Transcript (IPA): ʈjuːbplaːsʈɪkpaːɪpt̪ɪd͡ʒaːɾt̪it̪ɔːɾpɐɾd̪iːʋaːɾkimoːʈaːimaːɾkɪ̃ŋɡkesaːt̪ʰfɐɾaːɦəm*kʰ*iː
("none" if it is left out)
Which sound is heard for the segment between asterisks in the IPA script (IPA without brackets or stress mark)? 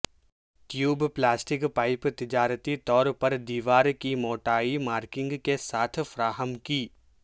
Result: k